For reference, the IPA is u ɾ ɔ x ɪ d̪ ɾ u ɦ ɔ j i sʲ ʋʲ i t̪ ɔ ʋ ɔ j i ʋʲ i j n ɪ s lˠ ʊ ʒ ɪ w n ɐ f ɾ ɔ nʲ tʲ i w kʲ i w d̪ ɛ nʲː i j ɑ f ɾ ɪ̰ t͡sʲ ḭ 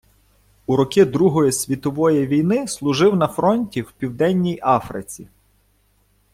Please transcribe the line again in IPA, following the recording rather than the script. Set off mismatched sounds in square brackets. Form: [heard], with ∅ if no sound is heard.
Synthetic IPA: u ɾ ɔ [k] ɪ d̪ ɾ u ɦ ɔ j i sʲ ʋʲ i t̪ ɔ ʋ ɔ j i ʋʲ i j n ɪ s lˠ ʊ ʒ ɪ w n ɐ f ɾ ɔ nʲ tʲ i w [pʲ] i w d̪ ɛ nʲː i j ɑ f ɾ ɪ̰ t͡sʲ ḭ

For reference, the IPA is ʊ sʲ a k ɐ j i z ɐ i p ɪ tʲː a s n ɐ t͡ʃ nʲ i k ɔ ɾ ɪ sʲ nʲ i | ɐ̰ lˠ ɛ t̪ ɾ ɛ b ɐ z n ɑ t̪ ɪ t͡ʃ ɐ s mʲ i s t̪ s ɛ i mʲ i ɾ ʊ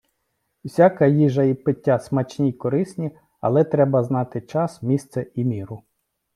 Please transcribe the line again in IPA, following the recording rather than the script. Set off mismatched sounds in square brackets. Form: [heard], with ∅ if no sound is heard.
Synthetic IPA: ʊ sʲ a k ɐ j i [ʒ] ɐ i p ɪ tʲː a s [m] ɐ t͡ʃ nʲ i k ɔ ɾ ɪ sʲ nʲ i | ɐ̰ lˠ ɛ t̪ ɾ ɛ b ɐ z n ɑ t̪ ɪ t͡ʃ [ɑ] s mʲ i s t̪ s ɛ i mʲ i ɾ ʊ

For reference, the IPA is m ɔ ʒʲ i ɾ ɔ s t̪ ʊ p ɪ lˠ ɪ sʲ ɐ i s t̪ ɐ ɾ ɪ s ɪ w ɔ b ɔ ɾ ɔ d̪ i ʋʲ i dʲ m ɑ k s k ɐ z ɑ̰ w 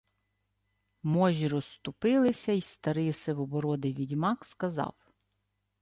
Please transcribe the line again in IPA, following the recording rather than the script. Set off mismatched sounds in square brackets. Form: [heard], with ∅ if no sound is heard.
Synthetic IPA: m ɔ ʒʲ i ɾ ɔ s t̪ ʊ p ɪ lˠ ɪ sʲ ɐ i s t̪ ɐ ɾ ɪ s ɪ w ɔ b ɔ ɾ ɔ d̪ [ɪ] ʋʲ i dʲ m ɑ k s k ɐ z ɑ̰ w

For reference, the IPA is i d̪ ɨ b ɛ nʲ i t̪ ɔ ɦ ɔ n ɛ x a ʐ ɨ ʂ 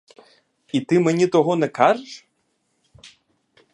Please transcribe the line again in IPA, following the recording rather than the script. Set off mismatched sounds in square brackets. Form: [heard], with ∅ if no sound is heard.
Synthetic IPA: i [t̪] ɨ [m] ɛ nʲ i t̪ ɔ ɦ ɔ n ɛ [k] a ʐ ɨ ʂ

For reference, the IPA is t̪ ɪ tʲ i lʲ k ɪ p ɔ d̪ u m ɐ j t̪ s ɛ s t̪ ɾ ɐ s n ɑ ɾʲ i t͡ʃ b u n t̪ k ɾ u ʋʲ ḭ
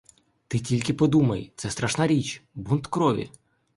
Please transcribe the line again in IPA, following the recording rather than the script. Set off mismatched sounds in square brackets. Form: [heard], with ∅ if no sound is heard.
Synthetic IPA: t̪ ɪ tʲ i lʲ k ɪ p ɔ d̪ u m ɐ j t̪ s ɛ s t̪ ɾ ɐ [ʃ] n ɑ ɾʲ i t͡ʃ b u n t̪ k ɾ [ɔ] ʋʲ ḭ

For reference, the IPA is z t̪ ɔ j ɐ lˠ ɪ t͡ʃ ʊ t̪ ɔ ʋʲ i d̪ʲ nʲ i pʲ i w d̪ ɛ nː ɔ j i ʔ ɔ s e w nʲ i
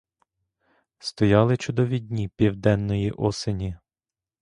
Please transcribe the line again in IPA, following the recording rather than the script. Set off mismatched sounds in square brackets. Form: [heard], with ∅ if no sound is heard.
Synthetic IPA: [s] t̪ ɔ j [ɑ] lˠ ɪ t͡ʃ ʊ [d̪] ɔ ʋʲ i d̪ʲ nʲ i pʲ i w d̪ ɛ nː ɔ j i ʔ ɔ s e [∅] nʲ i

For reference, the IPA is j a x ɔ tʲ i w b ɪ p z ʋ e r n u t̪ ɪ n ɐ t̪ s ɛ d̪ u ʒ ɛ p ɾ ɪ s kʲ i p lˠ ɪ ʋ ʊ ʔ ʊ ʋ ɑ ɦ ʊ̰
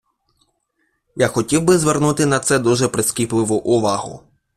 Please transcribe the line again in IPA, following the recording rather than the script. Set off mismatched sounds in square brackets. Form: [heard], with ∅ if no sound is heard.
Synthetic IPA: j a x ɔ tʲ i w b ɪ [∅] z ʋ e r n u t̪ ɪ n ɐ t̪ s ɛ d̪ u ʒ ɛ p ɾ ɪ s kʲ i p lˠ ɪ ʋ ʊ ʔ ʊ ʋ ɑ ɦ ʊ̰

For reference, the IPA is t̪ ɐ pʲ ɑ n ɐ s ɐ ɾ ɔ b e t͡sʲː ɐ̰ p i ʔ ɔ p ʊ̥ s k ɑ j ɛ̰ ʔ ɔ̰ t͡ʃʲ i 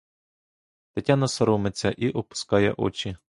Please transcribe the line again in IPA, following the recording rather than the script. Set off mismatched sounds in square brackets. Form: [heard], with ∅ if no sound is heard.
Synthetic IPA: t̪ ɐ [tʲ] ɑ n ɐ s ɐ ɾ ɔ [m] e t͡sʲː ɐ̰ [ʔ] i ʔ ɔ p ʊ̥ s k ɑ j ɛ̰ ʔ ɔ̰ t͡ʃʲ i

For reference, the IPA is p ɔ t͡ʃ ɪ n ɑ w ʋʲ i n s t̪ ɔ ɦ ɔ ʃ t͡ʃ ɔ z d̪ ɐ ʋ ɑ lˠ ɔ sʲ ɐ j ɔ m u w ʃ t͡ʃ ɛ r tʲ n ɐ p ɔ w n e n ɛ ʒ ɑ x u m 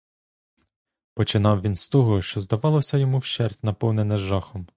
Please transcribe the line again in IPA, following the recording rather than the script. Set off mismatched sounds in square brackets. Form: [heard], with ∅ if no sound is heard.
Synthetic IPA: p ɔ t͡ʃ ɪ n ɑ w ʋʲ i n s t̪ ɔ ɦ ɔ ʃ t͡ʃ ɔ z d̪ ɐ ʋ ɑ lˠ ɔ sʲ ɐ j ɔ m u w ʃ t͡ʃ ɛ r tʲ n ɐ p ɔ w n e n ɛ ʒ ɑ x [ɔ] m

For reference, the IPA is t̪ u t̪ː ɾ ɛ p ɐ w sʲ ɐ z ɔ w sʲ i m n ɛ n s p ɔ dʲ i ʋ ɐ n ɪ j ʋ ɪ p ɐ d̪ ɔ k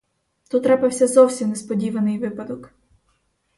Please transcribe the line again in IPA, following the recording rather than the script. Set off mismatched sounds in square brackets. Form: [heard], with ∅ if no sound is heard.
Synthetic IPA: t̪ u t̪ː ɾ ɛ p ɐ w sʲ ɐ z ɔ w sʲ i m n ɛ [∅] s p ɔ dʲ i ʋ ɐ n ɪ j ʋ ɪ p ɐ d̪ ɔ k

